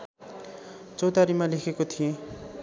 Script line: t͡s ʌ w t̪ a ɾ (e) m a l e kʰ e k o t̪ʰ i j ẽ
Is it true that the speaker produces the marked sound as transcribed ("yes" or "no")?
no